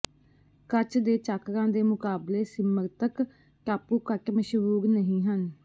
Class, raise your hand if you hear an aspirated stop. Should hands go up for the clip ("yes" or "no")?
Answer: no